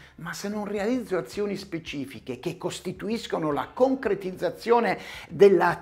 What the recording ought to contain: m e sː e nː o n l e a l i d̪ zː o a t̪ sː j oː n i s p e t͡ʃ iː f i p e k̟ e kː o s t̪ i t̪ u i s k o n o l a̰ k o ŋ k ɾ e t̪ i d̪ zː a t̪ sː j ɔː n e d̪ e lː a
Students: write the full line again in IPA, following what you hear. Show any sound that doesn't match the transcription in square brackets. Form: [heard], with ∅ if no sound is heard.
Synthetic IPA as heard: m [a] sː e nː o n [r] e a l i d̪ zː o a t̪ sː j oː n i s p e t͡ʃ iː f i [k] e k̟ e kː o s t̪ i t̪ u i s k o n o l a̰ k o ŋ k ɾ e t̪ i d̪ zː a t̪ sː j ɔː n e d̪ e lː a